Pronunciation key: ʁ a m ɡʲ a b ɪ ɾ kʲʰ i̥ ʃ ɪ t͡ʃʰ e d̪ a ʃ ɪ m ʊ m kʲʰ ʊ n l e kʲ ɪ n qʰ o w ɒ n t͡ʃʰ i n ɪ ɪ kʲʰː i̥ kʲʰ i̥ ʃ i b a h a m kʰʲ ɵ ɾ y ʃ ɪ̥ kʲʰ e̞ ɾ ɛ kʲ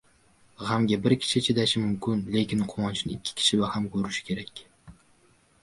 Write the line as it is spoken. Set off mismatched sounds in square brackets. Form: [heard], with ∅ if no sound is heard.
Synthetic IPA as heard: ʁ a m ɡʲ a b ɪ ɾ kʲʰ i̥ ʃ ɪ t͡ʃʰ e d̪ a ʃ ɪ m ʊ m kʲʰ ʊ n l e kʲ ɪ n qʰ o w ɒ n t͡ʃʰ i n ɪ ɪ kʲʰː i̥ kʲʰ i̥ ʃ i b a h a m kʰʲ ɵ ɾ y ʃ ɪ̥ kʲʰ e̞ ɾ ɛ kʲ